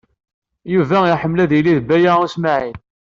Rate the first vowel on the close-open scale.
close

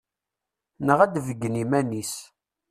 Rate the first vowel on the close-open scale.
mid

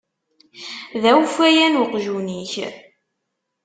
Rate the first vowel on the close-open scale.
open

